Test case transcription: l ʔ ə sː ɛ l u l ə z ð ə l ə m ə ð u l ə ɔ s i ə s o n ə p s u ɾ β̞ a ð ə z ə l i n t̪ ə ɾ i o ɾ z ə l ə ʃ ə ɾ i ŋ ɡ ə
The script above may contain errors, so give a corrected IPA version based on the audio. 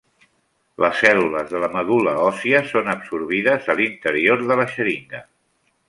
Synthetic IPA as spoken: l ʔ ə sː ɛ l u l ə z ð ə l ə m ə ð u l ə ɔ s i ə s o n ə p s u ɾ β̞ i ð ə z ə l i n t̪ ə ɾ i o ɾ ð ə l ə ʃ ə ɾ i ŋ ɡ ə